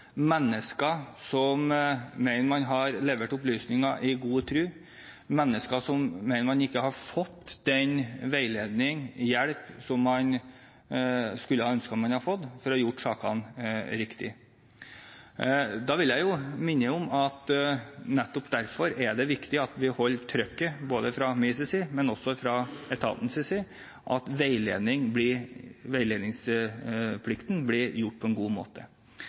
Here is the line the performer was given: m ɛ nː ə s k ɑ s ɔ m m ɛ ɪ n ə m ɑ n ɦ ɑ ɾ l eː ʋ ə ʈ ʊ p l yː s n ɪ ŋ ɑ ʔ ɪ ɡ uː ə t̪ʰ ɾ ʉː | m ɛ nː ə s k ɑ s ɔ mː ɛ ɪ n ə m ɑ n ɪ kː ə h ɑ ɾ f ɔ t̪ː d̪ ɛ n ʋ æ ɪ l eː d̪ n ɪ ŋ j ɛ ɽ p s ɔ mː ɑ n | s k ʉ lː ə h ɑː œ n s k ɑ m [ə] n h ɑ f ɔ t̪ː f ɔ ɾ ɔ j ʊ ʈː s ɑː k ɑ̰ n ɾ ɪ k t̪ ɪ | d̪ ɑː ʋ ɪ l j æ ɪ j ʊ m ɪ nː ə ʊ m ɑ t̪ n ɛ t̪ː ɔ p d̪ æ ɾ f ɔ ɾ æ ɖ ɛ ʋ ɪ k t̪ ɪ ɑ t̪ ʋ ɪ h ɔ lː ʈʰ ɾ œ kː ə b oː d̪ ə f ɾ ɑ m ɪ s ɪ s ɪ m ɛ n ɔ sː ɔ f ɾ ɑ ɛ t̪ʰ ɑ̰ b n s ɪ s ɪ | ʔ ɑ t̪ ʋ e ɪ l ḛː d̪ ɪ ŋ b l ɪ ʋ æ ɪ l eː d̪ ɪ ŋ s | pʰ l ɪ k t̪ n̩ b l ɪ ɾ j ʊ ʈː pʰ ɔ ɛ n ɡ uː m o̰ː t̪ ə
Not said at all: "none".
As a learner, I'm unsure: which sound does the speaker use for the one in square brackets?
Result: ɑ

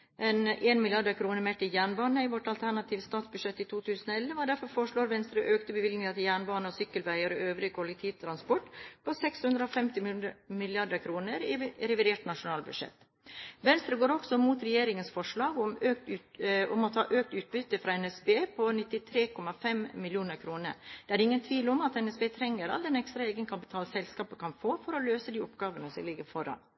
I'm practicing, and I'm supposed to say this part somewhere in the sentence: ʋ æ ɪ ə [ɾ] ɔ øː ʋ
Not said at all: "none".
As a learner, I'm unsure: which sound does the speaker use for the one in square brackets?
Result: ɾ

